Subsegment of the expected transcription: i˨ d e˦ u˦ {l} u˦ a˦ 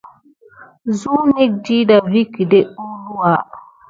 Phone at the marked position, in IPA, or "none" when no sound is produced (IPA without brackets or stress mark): l